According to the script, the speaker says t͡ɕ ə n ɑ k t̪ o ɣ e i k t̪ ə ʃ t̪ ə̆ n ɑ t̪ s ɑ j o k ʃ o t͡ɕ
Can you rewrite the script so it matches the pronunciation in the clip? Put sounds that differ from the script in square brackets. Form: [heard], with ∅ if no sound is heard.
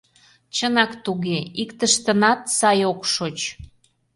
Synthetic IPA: t͡ɕ ə n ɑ k t̪ [u] ɣ e i k t̪ ə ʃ t̪ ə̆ n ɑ t̪ s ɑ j o k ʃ o t͡ɕ